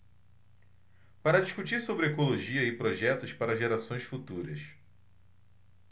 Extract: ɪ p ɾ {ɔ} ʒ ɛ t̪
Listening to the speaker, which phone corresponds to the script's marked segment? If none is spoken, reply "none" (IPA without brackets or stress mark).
o